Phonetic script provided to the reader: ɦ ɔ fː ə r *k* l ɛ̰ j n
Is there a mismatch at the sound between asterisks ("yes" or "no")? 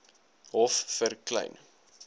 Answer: no